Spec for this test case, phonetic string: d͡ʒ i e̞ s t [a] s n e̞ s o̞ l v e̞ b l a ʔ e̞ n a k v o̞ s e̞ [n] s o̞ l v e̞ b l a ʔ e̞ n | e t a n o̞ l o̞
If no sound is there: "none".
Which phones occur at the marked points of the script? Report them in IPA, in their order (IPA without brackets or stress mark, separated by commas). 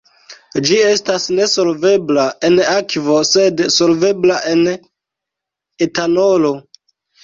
a, d